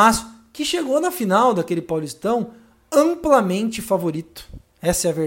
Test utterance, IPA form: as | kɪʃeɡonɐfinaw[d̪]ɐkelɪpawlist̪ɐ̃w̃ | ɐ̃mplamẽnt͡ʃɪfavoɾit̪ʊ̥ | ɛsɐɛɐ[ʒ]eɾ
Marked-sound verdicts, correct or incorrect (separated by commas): correct, incorrect